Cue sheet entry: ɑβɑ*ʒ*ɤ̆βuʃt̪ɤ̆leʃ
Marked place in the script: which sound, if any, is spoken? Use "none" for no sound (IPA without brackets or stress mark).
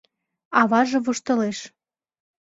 ʒ